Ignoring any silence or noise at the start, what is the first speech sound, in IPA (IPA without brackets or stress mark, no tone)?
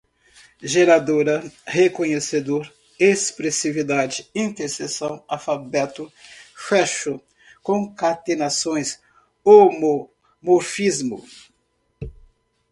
ʒ